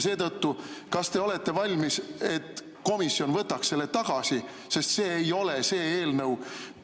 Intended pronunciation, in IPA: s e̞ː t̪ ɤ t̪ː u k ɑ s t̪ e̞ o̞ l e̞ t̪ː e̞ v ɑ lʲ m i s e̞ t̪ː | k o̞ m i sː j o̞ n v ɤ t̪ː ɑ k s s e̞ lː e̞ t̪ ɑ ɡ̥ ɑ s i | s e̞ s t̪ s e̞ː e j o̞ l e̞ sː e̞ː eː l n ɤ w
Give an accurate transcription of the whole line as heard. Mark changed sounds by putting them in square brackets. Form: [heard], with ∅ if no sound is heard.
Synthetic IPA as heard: s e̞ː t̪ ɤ t̪ː u k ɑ s t̪ e̞ o̞ l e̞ t̪ː e̞ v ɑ lʲ m i s e̞ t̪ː | k o̞ m i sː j o̞ n v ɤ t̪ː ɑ k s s e̞ lː e̞ t̪ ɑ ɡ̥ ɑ s i | s e̞ s t̪ s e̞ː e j o̞ l e̞ [s] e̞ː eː l n ɤ w